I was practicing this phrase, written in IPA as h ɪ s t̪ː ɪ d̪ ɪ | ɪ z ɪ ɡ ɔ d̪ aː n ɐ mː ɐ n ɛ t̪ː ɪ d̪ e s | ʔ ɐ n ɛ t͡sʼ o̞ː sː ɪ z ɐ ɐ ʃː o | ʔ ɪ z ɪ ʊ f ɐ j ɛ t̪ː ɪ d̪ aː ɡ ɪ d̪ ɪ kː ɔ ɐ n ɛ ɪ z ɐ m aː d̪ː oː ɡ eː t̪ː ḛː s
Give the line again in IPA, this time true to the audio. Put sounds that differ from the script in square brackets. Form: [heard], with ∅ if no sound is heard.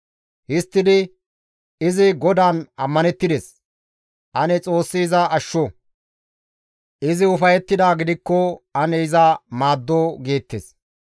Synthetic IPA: h ɪ s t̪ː ɪ d̪ ɪ | ɪ z ɪ ɡ ɔ d̪ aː n ɐ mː ɐ n ɛ t̪ː ɪ d̪ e s | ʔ ɐ n ɛ t͡sʼ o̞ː sː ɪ z ɐ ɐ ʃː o | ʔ ɪ z ɪ ʊ f ɐ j ɛ t̪ː ɪ d̪ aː ɡ ɪ d̪ ɪ kː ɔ ɐ n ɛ ɪ z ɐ m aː d̪ː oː ɡ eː t̪ː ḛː s